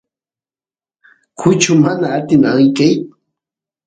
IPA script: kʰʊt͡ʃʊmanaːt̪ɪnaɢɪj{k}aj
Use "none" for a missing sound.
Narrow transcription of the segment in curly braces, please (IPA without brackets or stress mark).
k